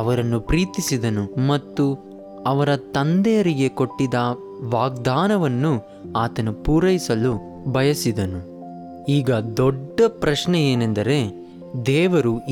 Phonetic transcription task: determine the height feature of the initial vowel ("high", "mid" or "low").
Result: low